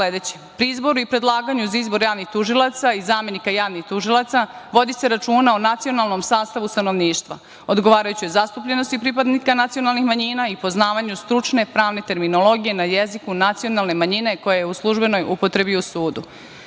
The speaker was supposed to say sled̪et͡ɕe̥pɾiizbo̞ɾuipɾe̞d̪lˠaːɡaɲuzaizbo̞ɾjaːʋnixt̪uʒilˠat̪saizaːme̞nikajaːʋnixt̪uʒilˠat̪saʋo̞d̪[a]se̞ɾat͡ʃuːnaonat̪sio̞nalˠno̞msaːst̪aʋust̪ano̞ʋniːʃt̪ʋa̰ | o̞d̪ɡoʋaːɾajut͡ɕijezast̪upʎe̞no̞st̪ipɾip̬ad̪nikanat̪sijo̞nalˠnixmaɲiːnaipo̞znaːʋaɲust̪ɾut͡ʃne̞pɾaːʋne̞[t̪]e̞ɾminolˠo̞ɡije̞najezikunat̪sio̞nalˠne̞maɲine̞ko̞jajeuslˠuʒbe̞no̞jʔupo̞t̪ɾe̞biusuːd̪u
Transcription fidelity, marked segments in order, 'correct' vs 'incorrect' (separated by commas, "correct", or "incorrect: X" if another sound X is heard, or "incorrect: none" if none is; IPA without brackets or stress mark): incorrect: i, correct